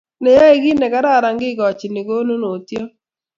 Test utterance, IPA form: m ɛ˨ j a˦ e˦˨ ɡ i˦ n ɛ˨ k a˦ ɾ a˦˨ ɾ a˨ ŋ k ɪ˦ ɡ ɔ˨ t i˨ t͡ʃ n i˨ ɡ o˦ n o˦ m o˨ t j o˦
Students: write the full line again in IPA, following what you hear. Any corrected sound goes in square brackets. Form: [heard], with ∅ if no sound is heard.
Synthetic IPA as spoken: [n] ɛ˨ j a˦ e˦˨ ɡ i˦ n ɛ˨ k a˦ ɾ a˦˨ ɾ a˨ ŋ [ɡ] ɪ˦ ɡ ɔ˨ [t͡ʃ] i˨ [∅] n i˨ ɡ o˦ n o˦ [n] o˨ t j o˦